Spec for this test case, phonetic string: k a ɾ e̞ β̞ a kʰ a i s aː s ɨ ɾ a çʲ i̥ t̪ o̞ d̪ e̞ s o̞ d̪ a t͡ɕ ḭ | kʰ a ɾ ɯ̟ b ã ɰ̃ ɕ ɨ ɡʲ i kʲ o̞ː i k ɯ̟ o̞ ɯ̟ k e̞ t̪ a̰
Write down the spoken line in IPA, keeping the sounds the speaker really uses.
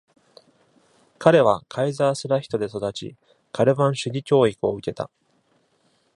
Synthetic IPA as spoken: k a ɾ e̞ β̞ a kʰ a i z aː s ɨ ɾ a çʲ i̥ t̪ o̞ d̪ e̞ s o̞ d̪ a t͡ɕ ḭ | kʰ a ɾ ɯ̟ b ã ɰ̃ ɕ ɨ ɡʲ i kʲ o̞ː i k ɯ̟ o̞ ɯ̟ k e̞ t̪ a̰